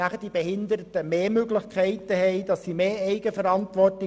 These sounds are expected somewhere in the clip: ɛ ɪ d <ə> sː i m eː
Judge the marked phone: incorrect: ɑ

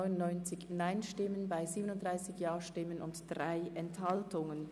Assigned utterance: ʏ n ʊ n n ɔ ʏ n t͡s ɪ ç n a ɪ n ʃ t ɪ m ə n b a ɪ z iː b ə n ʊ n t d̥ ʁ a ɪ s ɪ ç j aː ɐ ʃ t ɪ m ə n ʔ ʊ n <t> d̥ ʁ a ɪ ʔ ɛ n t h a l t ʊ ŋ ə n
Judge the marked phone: correct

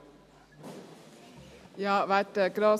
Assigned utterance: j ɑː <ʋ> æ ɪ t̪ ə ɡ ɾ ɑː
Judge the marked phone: correct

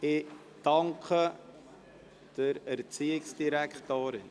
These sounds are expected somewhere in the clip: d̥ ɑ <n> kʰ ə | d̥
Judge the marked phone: incorrect: ŋ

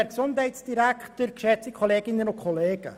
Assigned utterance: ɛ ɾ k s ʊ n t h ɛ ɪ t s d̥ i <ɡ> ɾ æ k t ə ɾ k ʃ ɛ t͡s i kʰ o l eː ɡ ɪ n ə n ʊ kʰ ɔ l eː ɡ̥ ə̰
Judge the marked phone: incorrect: none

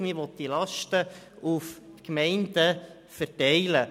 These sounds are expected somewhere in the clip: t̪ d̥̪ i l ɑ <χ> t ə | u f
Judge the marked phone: incorrect: ʃ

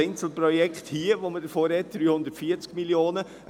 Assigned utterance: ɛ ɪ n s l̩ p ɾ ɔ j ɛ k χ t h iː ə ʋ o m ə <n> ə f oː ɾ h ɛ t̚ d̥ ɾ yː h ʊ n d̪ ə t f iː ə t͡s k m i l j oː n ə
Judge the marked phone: incorrect: d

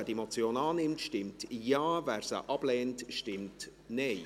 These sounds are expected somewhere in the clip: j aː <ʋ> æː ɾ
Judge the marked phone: incorrect: v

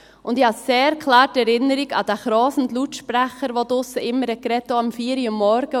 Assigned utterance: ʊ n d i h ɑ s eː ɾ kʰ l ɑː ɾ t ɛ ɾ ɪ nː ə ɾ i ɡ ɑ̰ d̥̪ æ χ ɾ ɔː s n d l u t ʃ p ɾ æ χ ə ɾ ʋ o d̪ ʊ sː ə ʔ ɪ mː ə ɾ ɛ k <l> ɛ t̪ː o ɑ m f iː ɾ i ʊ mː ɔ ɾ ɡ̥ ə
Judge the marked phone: incorrect: ɾ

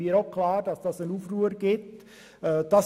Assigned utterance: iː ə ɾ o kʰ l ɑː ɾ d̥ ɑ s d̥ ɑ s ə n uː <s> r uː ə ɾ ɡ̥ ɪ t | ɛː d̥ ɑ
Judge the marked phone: incorrect: f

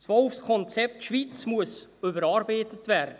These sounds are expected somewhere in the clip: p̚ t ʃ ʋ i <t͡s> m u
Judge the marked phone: correct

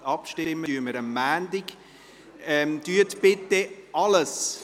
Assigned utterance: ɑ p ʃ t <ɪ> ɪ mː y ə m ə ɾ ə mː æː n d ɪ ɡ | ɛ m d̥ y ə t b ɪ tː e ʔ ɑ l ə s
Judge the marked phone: correct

